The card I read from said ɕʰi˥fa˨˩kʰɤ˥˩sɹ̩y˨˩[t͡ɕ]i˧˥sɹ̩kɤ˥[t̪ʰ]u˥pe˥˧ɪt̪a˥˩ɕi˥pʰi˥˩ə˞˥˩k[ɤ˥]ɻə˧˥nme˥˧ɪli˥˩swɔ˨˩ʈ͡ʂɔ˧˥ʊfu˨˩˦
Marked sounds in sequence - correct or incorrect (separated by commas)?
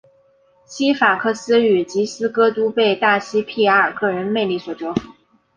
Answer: correct, incorrect, incorrect